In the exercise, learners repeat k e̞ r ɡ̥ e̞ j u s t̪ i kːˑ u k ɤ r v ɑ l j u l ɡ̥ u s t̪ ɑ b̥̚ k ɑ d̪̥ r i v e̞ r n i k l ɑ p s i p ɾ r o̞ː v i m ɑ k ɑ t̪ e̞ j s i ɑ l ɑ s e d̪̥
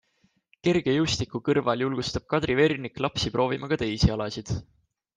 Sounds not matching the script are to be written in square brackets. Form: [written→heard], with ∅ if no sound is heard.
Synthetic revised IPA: k e̞ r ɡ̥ e̞ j u s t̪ i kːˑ u k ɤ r v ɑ l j u l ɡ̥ u s t̪ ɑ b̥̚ k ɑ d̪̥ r i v e̞ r n i k l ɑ p s i p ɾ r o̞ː v i m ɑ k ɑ t̪ e̞ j s i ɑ l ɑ s [e→i] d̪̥